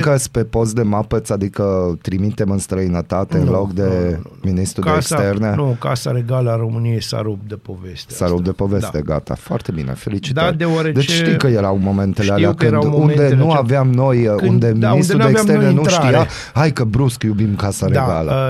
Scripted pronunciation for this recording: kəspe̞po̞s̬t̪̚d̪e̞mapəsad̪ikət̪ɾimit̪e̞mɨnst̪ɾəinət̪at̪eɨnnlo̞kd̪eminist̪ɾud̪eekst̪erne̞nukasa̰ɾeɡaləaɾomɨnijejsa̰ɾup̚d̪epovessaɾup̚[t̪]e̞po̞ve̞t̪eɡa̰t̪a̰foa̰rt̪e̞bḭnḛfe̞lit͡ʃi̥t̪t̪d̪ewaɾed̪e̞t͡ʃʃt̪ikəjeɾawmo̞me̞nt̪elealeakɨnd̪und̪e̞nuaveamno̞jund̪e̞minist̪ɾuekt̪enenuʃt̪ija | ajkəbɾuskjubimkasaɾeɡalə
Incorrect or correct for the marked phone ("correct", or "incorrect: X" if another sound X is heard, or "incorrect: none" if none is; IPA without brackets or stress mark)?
incorrect: d̪